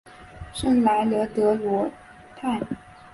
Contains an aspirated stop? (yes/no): yes